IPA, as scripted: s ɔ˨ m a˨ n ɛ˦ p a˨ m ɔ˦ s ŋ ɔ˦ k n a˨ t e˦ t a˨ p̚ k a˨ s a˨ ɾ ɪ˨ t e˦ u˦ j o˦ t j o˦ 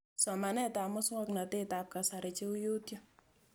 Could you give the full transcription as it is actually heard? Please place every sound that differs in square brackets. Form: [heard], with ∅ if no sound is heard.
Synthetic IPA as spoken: s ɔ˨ m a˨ n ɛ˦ [t] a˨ m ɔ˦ s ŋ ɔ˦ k n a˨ t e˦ t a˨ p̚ k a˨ s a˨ ɾ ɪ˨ [t͡ʃ] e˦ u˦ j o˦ t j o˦